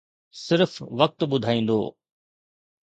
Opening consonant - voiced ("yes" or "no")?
no